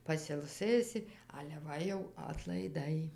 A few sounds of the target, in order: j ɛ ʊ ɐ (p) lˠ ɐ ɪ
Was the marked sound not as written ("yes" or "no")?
yes